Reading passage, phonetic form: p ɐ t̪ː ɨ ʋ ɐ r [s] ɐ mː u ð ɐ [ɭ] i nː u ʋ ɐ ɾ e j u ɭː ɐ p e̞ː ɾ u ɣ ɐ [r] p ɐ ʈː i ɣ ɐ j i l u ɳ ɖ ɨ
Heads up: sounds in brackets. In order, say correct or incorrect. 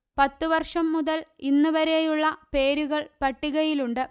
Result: incorrect, incorrect, incorrect

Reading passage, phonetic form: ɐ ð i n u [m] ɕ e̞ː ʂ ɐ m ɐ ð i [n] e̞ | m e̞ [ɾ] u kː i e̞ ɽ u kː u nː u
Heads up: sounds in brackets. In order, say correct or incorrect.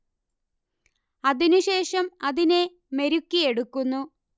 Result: incorrect, correct, correct

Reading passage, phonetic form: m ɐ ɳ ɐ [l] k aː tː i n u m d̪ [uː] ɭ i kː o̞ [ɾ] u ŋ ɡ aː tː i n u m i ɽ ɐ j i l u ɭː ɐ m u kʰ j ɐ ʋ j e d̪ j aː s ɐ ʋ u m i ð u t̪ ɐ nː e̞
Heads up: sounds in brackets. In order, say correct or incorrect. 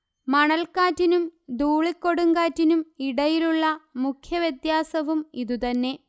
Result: correct, correct, incorrect

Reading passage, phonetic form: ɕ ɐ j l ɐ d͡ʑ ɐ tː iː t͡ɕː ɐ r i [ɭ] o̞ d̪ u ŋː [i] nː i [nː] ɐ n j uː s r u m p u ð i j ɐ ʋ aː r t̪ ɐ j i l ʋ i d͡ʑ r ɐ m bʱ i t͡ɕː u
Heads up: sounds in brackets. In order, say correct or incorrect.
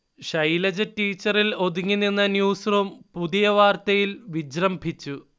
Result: incorrect, correct, correct

